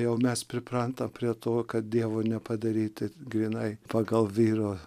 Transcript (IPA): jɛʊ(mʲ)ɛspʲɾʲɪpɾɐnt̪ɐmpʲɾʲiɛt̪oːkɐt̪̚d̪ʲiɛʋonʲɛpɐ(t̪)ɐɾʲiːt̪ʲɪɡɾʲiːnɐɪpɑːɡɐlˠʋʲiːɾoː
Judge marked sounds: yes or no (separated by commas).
yes, no